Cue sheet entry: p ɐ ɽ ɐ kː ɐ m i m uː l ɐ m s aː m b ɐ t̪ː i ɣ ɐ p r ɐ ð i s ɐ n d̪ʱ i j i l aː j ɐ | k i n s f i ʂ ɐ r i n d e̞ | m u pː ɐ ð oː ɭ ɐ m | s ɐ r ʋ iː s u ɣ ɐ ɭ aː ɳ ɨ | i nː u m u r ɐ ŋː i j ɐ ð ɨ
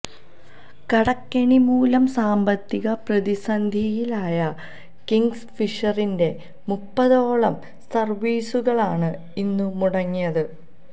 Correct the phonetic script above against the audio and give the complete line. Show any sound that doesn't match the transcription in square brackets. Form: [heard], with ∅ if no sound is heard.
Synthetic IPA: [k] ɐ ɽ ɐ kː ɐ [ɳ] i m uː l ɐ m s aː m b ɐ t̪ː i ɣ ɐ p r ɐ ð i s ɐ n d̪ʱ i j i l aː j ɐ | k i [ŋ] s f i ʂ ɐ r i n d e̞ | m u pː ɐ ð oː ɭ ɐ m | s ɐ r ʋ iː s u ɣ ɐ ɭ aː ɳ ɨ | i nː u m u [ɽ] ɐ ŋː i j ɐ ð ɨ